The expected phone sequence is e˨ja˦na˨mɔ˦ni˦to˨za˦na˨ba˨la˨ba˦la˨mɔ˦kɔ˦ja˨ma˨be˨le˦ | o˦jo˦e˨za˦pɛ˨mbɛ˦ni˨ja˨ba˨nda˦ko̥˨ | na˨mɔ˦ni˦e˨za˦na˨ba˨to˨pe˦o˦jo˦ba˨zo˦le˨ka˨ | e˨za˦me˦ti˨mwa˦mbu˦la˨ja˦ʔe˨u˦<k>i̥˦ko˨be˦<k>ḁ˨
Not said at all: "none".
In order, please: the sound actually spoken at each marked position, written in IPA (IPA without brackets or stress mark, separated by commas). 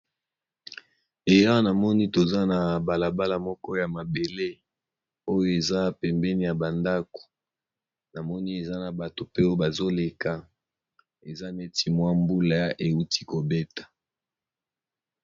t, t